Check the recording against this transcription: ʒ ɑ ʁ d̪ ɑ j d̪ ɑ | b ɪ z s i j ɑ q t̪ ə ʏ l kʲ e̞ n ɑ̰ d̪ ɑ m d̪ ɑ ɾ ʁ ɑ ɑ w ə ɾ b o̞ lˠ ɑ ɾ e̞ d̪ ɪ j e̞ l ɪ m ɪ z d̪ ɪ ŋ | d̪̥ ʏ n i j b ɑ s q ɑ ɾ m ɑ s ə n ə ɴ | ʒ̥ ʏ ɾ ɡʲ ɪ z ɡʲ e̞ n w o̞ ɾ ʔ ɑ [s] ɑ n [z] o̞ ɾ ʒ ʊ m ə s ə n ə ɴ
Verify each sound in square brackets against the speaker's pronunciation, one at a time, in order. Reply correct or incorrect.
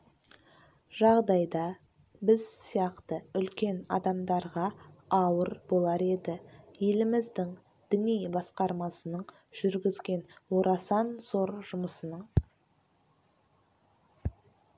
correct, correct

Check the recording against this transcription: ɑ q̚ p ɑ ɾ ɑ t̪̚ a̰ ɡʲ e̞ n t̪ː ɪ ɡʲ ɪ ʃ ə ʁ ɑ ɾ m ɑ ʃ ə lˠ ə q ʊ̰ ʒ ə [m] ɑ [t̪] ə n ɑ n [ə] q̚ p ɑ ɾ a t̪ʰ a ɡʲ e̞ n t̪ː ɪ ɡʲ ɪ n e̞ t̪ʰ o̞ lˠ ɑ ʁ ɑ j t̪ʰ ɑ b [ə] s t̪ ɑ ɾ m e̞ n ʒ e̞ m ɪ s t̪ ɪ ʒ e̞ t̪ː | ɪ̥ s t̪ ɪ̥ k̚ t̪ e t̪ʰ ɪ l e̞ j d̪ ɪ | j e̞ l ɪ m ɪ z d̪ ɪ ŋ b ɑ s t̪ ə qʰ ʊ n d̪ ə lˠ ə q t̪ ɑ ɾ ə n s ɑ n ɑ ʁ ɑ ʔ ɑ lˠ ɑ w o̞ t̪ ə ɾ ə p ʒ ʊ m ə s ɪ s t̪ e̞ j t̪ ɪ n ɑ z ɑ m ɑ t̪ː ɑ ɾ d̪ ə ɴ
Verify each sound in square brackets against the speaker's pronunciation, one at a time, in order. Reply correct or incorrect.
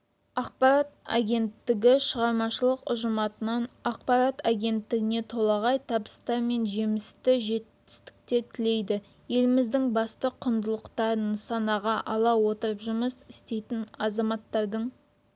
correct, correct, incorrect: ɑ, correct

